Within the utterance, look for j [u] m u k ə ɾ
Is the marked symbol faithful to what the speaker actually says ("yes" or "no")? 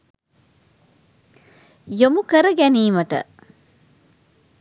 no